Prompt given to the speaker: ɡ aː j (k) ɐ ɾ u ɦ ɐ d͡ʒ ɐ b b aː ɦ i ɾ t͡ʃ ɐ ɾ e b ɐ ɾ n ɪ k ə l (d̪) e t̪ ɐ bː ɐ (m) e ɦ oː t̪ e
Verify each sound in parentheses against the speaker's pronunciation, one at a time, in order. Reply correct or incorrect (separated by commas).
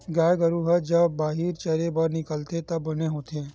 incorrect, incorrect, incorrect